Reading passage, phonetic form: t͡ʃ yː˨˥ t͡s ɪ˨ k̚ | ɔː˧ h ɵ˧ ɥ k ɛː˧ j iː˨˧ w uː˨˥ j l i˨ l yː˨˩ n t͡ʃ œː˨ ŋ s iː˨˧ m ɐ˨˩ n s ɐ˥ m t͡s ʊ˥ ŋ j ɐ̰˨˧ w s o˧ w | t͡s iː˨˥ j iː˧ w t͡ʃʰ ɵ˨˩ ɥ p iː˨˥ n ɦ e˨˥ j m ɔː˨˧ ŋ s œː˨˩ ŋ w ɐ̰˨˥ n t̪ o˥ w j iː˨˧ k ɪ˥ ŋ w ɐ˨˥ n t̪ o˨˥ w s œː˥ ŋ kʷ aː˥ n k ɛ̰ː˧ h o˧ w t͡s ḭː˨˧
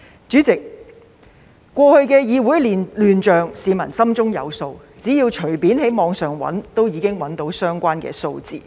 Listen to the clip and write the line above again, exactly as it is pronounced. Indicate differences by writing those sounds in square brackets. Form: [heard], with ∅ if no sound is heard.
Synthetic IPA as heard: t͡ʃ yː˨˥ t͡s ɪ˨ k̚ | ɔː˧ h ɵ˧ ɥ k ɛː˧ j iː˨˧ w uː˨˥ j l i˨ l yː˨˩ n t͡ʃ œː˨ ŋ s iː˨˧ m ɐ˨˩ n s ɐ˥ m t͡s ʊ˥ ŋ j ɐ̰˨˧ w s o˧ w | t͡s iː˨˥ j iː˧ w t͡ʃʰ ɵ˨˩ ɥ p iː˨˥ n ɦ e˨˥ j m ɔː˨˧ ŋ s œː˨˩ ŋ w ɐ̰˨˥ n t̪ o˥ w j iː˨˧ k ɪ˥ ŋ w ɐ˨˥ n t̪ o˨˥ w s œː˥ ŋ kʷ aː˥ n k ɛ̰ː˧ [s] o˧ w t͡s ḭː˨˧

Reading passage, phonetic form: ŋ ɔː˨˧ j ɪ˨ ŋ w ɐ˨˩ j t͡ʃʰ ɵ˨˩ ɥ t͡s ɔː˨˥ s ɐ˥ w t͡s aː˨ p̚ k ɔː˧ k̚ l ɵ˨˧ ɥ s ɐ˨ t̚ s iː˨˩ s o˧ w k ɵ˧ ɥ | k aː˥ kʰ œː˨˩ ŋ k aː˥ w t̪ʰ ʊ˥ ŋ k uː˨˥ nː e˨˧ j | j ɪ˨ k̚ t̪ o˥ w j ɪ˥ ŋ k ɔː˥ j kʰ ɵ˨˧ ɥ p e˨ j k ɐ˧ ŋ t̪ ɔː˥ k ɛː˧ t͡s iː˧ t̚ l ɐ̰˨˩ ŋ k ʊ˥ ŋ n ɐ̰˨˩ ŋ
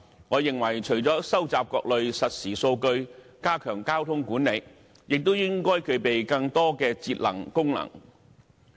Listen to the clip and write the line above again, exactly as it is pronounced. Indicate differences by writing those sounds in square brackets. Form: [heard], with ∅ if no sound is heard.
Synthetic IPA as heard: ŋ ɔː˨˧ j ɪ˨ ŋ w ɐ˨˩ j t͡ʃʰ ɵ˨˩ ɥ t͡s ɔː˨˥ s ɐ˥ w t͡s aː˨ p̚ k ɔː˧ k̚ l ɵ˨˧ ɥ s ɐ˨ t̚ s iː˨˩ s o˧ w k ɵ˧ ɥ | k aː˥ kʰ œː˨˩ ŋ k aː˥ w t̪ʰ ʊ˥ ŋ k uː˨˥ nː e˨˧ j | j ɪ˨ k̚ t̪ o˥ w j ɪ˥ ŋ k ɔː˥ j kʰ ɵ˨˧ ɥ p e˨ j k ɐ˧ ŋ t̪ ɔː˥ k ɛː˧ t͡s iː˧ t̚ l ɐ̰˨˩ ŋ k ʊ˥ ŋ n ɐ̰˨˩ ŋ

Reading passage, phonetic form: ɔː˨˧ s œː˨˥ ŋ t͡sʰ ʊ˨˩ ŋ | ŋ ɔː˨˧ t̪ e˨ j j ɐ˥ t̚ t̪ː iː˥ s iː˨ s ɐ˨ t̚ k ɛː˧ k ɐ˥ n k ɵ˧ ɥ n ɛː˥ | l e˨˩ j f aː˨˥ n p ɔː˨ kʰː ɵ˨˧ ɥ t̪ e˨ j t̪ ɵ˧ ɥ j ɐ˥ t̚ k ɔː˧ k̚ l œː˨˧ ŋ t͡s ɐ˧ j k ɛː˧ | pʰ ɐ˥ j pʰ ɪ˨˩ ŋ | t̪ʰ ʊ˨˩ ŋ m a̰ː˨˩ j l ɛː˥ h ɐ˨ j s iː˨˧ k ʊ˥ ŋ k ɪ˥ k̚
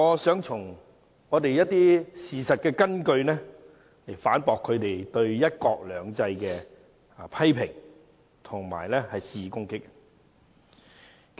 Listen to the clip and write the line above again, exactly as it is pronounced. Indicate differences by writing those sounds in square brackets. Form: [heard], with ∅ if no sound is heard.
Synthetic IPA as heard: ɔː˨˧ s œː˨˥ ŋ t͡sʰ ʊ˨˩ ŋ | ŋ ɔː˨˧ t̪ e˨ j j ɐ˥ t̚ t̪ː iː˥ s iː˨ s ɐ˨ t̚ k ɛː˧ k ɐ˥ n k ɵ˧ ɥ n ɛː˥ | l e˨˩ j f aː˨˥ n p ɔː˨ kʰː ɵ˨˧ ɥ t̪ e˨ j t̪ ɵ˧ ɥ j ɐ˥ t̚ k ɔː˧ k̚ l œː˨˧ ŋ t͡s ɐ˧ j k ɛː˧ | pʰ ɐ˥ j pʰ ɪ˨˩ ŋ | t̪ʰ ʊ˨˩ ŋ m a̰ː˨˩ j l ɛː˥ h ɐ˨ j s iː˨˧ k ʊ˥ ŋ k ɪ˥ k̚

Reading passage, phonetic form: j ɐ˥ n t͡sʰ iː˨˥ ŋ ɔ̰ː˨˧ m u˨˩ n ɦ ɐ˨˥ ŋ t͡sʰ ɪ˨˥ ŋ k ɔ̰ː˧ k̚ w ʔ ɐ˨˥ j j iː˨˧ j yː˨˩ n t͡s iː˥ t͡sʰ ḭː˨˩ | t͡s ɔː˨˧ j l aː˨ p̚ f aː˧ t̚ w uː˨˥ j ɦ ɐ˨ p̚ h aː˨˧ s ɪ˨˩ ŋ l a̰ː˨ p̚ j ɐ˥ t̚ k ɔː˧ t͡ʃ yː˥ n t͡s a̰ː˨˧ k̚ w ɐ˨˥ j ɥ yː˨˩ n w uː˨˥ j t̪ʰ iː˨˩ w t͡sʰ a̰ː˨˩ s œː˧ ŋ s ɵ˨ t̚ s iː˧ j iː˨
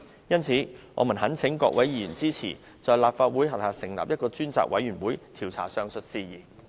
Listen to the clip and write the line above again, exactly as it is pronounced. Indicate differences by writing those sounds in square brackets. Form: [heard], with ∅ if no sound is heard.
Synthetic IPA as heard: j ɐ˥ n t͡sʰ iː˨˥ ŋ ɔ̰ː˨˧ m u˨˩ n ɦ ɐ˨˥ [n] t͡sʰ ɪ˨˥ ŋ k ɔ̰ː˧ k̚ w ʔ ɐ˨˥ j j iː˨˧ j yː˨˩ n t͡s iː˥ t͡sʰ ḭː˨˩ | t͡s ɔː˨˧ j l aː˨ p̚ f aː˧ t̚ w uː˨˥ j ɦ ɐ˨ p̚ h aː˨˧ s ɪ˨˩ ŋ l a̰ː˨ p̚ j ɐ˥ t̚ k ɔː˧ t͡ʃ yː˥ n t͡s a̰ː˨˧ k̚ w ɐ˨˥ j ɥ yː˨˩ n w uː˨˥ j t̪ʰ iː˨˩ w t͡sʰ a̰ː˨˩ s œː˧ ŋ s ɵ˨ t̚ s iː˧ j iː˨

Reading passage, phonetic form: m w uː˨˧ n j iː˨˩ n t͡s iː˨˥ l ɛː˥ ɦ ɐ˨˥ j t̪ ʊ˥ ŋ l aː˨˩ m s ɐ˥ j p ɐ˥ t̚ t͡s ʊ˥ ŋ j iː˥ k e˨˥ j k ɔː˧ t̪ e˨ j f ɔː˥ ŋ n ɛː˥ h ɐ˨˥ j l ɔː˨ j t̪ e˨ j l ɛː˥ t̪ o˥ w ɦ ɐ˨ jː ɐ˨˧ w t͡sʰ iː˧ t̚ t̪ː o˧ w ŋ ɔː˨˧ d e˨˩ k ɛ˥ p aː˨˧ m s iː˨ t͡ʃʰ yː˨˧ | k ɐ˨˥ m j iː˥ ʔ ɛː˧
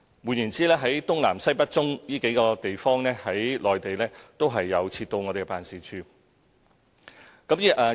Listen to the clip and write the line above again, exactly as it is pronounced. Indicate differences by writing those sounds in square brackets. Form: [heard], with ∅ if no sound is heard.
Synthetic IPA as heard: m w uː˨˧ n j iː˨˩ n t͡s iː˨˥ l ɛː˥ ɦ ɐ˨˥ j t̪ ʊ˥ ŋ l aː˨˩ m s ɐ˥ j p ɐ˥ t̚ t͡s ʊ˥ ŋ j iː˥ k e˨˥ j k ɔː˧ t̪ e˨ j f ɔː˥ ŋ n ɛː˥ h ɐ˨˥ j l ɔː˨ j t̪ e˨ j l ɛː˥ t̪ o˥ w ɦ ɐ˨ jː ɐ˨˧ w t͡sʰ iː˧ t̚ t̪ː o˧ w ŋ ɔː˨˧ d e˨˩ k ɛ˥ p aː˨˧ [n] s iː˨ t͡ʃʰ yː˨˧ | k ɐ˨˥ m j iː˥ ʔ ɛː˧

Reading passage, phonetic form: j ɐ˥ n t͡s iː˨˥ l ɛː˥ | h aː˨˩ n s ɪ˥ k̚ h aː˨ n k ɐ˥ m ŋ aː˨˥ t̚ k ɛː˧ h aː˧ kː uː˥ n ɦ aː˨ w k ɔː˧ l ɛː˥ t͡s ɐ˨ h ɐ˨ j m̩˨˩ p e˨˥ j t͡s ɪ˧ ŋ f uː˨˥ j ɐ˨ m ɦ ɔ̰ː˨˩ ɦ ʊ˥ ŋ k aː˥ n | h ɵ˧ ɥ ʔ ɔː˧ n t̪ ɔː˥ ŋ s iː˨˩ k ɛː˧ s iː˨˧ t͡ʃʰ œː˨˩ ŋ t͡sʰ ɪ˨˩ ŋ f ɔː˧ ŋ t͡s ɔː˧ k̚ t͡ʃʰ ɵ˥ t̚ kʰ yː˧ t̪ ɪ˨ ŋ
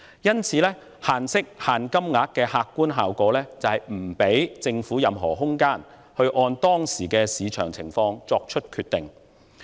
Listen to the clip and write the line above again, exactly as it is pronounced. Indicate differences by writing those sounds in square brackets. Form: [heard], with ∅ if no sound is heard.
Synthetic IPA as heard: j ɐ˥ n [t͡sʰ] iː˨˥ l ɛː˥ | h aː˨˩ n s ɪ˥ k̚ h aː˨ n k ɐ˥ m ŋ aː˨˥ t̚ k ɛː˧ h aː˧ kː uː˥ n ɦ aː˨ w k [ɔː˨˥] l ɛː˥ t͡s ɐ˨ h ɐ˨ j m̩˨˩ p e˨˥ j t͡s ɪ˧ ŋ f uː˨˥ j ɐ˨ m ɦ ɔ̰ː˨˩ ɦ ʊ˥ ŋ k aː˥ n | h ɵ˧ ɥ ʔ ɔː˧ n t̪ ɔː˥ ŋ s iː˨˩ k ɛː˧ s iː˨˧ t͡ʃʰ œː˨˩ ŋ t͡sʰ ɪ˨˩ ŋ f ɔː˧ ŋ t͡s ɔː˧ k̚ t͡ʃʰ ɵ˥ t̚ kʰ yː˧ t̪ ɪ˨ ŋ

